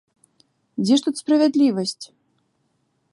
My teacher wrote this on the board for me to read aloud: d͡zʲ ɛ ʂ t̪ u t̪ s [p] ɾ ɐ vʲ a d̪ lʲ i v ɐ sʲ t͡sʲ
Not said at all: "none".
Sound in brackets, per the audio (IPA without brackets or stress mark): p